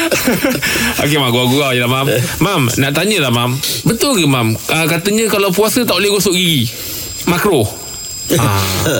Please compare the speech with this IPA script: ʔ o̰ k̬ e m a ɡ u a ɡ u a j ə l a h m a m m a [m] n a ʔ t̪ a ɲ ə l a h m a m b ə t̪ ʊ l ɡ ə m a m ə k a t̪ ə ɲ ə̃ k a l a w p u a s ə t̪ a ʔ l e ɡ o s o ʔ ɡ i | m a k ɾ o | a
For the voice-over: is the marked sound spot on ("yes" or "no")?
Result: yes